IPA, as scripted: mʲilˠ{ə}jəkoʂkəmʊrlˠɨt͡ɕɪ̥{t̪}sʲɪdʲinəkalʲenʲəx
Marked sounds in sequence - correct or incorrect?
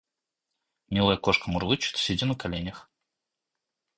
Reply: correct, correct

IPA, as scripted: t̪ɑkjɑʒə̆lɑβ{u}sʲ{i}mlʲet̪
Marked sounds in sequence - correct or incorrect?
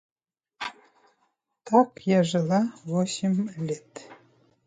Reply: incorrect: o, correct

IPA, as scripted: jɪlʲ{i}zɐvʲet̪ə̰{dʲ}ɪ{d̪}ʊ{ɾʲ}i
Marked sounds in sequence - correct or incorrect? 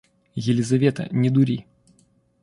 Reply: incorrect: ɪ, incorrect: nʲ, correct, correct

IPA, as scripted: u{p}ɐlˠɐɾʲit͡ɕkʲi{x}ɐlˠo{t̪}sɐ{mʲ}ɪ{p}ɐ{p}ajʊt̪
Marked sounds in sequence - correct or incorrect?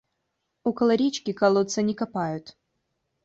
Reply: incorrect: k, incorrect: k, correct, incorrect: nʲ, incorrect: k, correct

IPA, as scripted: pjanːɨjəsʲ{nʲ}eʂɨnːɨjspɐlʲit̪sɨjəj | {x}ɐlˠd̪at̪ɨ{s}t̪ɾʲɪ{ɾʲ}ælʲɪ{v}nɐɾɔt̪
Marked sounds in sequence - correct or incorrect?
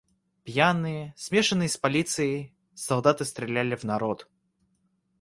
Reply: incorrect: mʲ, incorrect: s, correct, incorrect: lʲ, correct

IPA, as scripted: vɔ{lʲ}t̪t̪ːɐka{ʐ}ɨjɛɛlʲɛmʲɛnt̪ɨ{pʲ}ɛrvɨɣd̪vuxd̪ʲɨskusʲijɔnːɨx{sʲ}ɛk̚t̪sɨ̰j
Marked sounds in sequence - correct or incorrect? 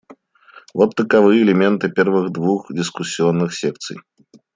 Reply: incorrect: none, incorrect: v, correct, correct

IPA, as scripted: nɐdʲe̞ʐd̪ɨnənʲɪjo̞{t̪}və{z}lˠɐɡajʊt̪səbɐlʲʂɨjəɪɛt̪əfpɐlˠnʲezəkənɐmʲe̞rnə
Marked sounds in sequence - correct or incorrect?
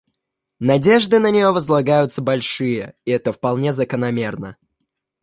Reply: incorrect: none, correct

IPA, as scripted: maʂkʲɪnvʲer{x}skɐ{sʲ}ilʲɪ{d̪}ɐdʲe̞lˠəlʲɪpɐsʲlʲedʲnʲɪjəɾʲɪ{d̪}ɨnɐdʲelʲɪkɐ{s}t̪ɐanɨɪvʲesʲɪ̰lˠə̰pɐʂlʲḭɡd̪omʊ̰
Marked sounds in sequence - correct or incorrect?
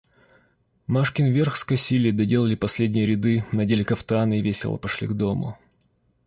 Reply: correct, correct, correct, correct, incorrect: f

